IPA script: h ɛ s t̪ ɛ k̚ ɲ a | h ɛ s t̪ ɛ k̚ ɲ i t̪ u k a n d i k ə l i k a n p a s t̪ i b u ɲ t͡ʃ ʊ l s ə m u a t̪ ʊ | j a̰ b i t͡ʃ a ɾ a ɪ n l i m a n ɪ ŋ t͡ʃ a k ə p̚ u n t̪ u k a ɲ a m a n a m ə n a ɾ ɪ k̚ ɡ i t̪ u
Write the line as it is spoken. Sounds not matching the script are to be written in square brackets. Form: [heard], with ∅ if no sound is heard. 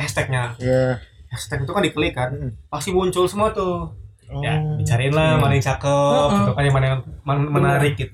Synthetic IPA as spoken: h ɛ s t̪ ɛ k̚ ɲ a | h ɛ s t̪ ɛ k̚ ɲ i t̪ u k a n d i k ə l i k a n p a s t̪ i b u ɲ t͡ʃ ʊ l s ə m u a t̪ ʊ | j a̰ b i t͡ʃ a ɾ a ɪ n l [a] m a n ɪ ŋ t͡ʃ a k ə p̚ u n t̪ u k a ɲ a m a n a m ə n a ɾ ɪ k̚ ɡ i t̪ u